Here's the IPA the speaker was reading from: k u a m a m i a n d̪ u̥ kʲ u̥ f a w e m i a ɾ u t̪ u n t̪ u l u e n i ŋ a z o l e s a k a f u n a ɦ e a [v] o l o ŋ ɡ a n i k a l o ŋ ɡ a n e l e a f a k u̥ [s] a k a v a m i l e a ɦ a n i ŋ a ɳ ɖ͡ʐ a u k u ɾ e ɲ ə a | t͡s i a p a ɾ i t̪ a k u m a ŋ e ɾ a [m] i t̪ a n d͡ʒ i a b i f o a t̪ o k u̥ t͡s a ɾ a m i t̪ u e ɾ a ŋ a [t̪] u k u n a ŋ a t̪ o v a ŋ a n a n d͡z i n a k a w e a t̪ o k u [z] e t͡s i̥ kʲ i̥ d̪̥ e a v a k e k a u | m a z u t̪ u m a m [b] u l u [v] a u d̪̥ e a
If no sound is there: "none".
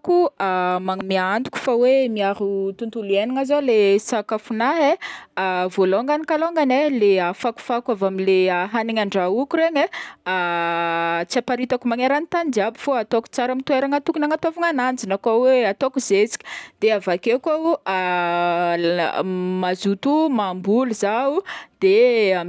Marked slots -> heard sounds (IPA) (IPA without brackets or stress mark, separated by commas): v, f, n, t̪, z, b, z